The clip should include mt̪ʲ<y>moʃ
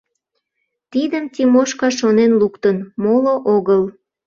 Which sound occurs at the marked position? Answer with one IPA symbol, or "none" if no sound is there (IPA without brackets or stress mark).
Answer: i